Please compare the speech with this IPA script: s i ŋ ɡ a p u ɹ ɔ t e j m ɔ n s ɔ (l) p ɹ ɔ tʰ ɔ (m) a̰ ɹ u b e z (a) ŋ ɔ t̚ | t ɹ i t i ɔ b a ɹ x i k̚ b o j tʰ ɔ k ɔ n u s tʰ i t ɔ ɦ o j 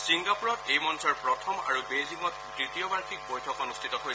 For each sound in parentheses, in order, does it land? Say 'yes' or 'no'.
no, yes, no

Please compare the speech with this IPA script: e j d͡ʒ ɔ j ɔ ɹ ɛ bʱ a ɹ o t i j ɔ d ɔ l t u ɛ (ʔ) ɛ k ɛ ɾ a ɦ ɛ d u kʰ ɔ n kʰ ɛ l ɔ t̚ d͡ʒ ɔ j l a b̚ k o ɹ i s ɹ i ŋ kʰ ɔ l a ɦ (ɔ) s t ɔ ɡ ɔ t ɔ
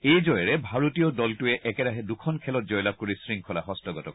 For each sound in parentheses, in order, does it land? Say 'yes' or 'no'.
yes, yes

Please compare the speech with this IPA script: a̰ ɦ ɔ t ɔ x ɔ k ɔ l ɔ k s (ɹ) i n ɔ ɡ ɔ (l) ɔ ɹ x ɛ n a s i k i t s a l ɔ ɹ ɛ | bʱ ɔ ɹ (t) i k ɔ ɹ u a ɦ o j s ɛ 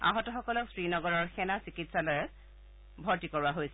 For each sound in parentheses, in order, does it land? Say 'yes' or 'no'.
yes, no, yes

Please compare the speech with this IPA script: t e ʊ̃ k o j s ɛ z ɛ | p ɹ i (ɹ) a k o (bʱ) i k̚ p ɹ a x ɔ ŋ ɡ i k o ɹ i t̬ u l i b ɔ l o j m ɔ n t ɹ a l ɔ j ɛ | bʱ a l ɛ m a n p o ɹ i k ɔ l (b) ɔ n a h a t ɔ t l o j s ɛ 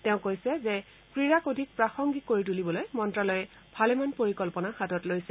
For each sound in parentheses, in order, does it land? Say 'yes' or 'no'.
yes, no, no

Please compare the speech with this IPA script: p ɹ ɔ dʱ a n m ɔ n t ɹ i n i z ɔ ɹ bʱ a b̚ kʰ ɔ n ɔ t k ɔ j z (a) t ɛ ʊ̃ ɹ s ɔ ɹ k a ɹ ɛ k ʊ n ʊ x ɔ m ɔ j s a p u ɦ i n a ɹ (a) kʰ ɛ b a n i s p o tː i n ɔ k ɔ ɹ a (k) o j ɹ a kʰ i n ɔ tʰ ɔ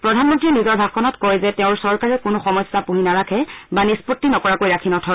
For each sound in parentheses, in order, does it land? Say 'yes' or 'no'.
no, yes, yes

